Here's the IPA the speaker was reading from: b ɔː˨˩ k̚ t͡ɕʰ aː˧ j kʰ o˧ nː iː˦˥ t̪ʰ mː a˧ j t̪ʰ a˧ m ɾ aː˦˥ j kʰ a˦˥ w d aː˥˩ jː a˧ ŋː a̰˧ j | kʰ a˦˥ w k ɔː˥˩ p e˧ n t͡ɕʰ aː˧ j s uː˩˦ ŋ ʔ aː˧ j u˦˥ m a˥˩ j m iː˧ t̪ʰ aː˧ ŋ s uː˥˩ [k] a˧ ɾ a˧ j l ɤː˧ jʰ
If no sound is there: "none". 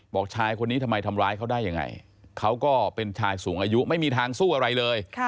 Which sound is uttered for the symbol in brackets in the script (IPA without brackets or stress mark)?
ʔ